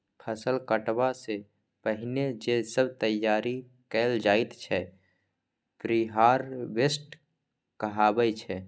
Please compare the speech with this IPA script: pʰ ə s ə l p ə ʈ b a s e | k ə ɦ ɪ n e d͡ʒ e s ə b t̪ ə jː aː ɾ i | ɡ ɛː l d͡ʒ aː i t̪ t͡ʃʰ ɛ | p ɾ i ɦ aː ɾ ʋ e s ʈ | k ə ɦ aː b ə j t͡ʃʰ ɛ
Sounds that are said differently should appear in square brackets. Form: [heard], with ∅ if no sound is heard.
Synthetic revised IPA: pʰ ə s ə l [k] ə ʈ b a s e | [p] ə ɦ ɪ n e d͡ʒ e s ə b t̪ ə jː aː ɾ i | [k] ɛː l d͡ʒ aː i t̪ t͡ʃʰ ɛ | p ɾ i ɦ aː ɾ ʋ e s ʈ | k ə ɦ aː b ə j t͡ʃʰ ɛ